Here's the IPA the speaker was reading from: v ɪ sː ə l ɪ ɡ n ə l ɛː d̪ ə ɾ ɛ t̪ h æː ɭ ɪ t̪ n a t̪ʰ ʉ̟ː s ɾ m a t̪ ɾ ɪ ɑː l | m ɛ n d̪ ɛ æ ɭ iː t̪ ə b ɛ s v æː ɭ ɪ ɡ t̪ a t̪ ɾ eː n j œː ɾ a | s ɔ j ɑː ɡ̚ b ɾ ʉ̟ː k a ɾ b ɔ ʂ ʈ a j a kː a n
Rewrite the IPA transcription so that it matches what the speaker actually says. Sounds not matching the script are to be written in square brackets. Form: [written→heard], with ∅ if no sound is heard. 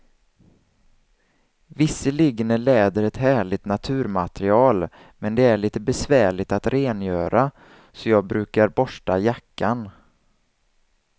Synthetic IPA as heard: v ɪ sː ə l ɪ ɡ n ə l ɛː d̪ ə ɾ ɛ t̪ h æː ɭ ɪ t̪ n a t̪ʰ ʉ̟ː [s→∅] ɾ m a t̪ ɾ ɪ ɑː l | m ɛ n d̪ ɛ æ ɭ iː t̪ ə b ɛ s v æː ɭ ɪ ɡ t̪ a t̪ ɾ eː n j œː ɾ a | s ɔ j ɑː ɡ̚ b ɾ ʉ̟ː k a ɾ b ɔ ʂ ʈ a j a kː a n